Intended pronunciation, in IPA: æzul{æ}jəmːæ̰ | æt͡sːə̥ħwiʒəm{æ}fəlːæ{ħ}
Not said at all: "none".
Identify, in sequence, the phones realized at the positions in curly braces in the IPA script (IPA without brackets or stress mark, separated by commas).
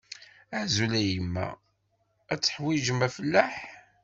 æ, æ, ħ